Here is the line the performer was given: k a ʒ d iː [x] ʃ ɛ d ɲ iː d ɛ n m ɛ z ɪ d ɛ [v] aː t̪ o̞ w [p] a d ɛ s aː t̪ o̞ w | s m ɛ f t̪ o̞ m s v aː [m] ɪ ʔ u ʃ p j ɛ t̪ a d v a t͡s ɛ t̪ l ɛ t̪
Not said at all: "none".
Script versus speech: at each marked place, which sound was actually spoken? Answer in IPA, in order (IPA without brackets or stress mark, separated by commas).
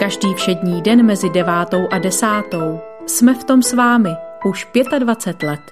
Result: f, v, ʔ, m